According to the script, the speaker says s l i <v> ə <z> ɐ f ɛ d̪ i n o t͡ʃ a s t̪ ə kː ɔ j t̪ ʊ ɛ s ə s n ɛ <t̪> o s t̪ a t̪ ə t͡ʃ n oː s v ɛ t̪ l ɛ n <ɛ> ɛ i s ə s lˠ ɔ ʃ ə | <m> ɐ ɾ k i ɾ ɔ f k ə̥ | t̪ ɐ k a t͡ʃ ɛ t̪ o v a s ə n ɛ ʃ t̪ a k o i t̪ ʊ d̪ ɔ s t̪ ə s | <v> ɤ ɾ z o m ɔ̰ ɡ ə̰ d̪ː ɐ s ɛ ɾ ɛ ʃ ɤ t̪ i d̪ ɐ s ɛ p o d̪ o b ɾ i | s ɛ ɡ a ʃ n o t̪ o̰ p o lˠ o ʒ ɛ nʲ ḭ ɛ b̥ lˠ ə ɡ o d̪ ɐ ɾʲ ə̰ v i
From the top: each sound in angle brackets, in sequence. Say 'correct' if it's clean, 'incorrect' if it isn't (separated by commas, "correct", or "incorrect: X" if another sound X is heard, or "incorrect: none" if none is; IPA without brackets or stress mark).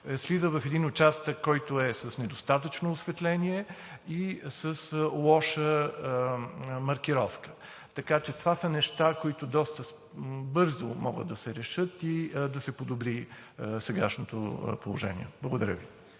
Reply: incorrect: z, incorrect: v, incorrect: d̪, incorrect: i, correct, incorrect: b